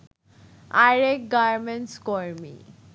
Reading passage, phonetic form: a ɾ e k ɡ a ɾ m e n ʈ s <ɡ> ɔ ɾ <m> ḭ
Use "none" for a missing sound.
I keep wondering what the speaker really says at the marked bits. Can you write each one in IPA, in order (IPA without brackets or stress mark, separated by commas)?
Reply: k, m